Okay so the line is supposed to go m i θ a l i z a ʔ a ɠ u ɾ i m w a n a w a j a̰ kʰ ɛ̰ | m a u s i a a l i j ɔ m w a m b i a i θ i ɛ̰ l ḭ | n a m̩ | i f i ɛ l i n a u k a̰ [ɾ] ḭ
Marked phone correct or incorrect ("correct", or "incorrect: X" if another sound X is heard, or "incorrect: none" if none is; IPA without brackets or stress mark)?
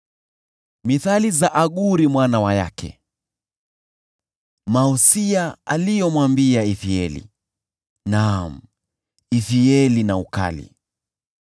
incorrect: l